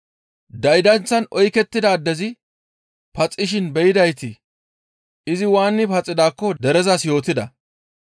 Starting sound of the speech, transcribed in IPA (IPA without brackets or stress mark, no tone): d̪